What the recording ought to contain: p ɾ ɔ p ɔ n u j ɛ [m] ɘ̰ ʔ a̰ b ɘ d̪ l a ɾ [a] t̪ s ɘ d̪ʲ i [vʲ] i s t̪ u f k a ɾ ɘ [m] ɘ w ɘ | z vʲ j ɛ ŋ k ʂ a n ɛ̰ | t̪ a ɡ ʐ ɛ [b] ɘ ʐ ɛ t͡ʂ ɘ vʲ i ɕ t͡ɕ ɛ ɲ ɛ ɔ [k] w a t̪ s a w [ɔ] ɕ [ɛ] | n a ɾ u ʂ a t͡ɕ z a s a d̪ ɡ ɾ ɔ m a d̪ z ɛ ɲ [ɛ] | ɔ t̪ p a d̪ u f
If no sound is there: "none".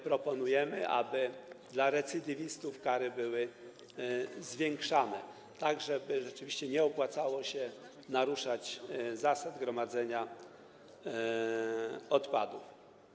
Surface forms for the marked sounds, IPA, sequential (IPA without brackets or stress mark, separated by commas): m, ɛ, vʲ, b, b, p, ɔ, ɛ, a